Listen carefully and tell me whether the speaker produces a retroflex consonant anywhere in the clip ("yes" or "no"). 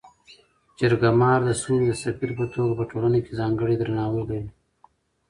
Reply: yes